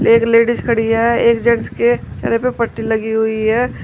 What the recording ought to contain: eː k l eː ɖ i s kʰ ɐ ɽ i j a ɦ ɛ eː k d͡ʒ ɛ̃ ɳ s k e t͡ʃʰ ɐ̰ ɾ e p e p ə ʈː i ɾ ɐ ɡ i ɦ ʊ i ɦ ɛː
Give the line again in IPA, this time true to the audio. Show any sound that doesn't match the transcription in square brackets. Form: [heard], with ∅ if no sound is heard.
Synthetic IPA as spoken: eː k l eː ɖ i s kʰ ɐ ɽ i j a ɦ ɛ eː k d͡ʒ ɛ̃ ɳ s k e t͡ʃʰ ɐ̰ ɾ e p e p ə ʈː i [l] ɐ ɡ i ɦ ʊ i ɦ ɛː

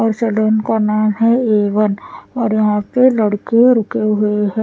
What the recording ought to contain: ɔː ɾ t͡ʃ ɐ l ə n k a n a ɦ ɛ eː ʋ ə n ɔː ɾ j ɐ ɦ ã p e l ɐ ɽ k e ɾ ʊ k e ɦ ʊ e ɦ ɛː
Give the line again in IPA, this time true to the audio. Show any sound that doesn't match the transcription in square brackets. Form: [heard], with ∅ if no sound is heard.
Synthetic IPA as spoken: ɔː ɾ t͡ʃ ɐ l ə n k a n a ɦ ɛ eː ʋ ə n ɔː ɾ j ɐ ɦ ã p e l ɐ ɽ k e ɾ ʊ k e ɦ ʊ e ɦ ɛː

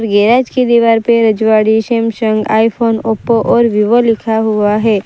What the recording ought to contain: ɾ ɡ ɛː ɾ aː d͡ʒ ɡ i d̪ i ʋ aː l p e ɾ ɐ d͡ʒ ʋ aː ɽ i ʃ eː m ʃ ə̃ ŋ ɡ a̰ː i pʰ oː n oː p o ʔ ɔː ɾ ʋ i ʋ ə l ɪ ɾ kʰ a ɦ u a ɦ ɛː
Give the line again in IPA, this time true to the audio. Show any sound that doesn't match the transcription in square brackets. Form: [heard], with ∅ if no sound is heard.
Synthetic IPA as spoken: ɾ ɡ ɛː ɾ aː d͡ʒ [k] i d̪ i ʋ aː [ɾ] p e ɾ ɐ d͡ʒ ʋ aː ɽ i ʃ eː m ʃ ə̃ ŋ ɡ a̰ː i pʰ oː n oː p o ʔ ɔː ɾ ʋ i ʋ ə l ɪ [∅] kʰ a ɦ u a ɦ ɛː

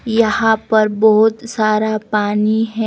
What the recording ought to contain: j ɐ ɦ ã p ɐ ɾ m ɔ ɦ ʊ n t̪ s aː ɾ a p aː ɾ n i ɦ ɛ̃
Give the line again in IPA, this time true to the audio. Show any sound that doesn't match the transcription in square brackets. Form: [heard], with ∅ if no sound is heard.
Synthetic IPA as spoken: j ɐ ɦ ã p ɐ ɾ [b] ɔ ɦ ʊ [∅] t̪ s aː ɾ a p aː [∅] n i ɦ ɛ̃

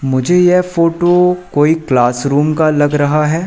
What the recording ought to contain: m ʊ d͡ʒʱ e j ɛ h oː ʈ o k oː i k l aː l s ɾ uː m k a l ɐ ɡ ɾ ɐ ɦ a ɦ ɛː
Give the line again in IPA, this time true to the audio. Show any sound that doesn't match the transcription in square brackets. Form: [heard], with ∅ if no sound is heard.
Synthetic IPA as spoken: m ʊ d͡ʒʱ e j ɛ [f] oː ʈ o k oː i k l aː [∅] s ɾ uː m k a l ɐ ɡ ɾ ɐ ɦ a ɦ ɛː

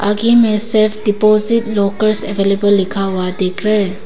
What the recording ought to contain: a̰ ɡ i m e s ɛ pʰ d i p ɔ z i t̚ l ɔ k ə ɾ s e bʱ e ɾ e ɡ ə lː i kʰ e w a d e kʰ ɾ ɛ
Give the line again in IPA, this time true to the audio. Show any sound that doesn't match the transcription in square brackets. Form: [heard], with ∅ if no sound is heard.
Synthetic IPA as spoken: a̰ ɡ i m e s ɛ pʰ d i p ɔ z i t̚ l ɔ k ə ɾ s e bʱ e [l] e [b] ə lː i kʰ [a] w a d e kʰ ɾ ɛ

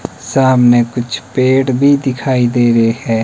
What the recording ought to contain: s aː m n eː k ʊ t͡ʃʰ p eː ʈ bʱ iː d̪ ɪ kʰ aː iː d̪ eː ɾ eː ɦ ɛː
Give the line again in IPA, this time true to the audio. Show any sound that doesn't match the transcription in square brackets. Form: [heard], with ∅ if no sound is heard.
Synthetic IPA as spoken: s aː m n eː k ʊ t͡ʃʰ p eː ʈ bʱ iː d̪ ɪ kʰ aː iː d̪ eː ɾ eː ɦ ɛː

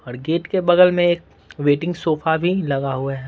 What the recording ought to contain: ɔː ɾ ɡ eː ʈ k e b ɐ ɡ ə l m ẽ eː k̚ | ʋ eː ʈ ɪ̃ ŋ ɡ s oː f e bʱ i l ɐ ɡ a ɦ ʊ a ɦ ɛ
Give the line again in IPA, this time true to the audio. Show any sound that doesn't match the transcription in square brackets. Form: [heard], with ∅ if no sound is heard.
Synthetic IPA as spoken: ɔː ɾ ɡ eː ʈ k e b ɐ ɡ ə l m ẽ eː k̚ | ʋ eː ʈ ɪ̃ ŋ ɡ s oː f [a] bʱ i l ɐ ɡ a ɦ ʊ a ɦ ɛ

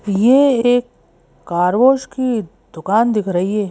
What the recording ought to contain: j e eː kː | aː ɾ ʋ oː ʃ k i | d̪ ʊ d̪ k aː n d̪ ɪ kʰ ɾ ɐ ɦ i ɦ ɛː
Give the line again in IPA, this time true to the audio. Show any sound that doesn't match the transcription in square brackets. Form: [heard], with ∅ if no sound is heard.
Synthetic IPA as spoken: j e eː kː | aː ɾ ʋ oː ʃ k i | d̪ ʊ [∅] k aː n d̪ ɪ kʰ ɾ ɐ ɦ i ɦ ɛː

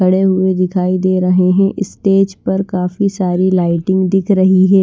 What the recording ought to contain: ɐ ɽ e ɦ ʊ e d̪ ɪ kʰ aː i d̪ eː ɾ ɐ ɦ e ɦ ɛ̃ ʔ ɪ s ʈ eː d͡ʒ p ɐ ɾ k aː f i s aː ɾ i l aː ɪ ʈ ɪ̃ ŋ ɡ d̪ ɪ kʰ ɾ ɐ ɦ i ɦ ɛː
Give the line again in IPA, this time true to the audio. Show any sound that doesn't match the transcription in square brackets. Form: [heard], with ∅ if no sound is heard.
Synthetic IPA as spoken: ɐ ɽ e ɦ ʊ e d̪ ɪ kʰ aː i d̪ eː ɾ ɐ ɦ e ɦ ɛ̃ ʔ ɪ s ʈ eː d͡ʒ p ɐ ɾ k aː f i s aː ɾ i l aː ɪ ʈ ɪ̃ ŋ ɡ d̪ ɪ kʰ ɾ ɐ ɦ i ɦ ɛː

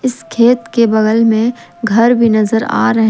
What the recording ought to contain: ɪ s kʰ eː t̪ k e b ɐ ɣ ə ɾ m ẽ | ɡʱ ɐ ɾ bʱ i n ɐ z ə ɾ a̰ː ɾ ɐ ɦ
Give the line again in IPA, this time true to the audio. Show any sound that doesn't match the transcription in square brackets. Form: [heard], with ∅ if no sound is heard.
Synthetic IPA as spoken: ɪ s kʰ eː t̪ k e b ɐ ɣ ə [l] m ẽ | ɡʱ ɐ ɾ bʱ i n ɐ z ə ɾ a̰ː ɾ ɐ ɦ

